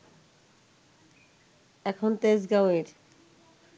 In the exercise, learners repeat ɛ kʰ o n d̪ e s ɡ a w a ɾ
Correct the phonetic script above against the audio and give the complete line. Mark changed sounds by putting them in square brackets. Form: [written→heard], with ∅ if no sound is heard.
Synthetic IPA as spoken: ɛ kʰ o n [d̪→t̪] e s ɡ a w [a→e] ɾ